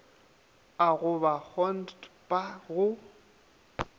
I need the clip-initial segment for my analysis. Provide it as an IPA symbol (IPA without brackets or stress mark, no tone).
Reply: a